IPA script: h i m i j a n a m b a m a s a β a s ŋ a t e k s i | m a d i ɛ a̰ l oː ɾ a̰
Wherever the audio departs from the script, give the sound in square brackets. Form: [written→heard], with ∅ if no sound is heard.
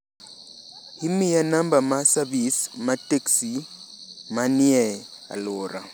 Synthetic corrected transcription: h i m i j a n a m b a m a s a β [a→i] s [ŋ→m] a t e k s i | m a [d→n] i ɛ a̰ l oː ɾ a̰